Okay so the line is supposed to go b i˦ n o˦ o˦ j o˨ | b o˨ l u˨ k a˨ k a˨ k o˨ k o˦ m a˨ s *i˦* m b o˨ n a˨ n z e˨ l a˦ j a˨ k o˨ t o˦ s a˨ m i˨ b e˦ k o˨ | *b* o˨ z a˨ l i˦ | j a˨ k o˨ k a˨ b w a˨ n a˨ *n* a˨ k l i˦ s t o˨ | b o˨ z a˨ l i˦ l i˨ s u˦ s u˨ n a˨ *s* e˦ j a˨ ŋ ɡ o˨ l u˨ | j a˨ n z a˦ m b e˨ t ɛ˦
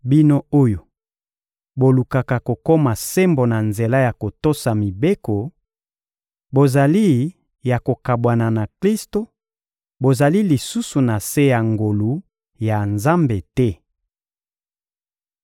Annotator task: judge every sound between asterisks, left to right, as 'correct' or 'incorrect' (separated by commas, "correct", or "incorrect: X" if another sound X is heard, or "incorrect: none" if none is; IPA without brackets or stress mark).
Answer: incorrect: e˦, correct, correct, correct